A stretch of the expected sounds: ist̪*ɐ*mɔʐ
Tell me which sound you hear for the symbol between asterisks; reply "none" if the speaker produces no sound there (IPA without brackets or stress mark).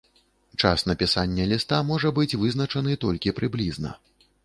a